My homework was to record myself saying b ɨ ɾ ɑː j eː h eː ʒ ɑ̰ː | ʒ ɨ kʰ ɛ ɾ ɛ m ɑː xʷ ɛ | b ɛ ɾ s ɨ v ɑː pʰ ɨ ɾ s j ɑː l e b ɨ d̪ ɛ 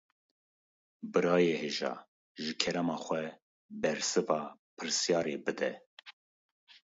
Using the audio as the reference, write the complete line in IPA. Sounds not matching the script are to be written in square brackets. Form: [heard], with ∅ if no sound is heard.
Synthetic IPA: b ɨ ɾ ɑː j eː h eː ʒ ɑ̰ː | ʒ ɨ kʰ ɛ ɾ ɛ m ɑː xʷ ɛ | b ɛ ɾ s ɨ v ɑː pʰ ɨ ɾ s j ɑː [ɾ] e b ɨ d̪ ɛ